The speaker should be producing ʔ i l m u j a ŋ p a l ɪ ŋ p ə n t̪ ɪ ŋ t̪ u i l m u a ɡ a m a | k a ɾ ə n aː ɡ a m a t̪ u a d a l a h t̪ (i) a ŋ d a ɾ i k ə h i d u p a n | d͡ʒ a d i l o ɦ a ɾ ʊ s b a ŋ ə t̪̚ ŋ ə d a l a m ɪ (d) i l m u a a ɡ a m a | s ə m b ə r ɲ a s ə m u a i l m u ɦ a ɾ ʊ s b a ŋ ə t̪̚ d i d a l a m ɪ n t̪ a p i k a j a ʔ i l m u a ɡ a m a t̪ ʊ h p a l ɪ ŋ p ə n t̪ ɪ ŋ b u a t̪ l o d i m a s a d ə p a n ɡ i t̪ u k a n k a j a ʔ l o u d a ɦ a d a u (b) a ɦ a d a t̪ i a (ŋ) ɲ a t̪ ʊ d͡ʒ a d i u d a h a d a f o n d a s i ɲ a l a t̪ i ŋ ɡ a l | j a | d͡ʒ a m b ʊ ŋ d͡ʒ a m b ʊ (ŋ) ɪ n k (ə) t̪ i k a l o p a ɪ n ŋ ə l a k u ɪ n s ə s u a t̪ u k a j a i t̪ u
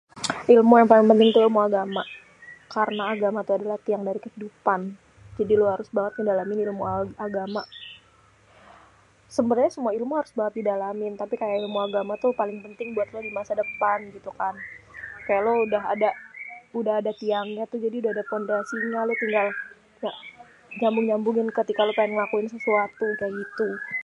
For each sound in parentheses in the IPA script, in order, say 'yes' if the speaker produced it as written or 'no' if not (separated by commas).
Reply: yes, no, no, yes, yes, yes